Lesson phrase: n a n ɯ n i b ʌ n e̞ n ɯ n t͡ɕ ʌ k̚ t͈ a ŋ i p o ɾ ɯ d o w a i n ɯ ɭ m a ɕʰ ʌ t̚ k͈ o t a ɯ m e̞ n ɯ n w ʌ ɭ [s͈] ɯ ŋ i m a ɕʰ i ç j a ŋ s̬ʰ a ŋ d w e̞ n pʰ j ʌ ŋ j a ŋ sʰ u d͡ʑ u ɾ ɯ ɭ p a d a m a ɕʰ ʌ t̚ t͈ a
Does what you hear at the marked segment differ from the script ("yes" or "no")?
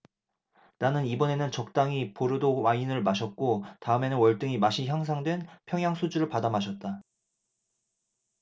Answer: yes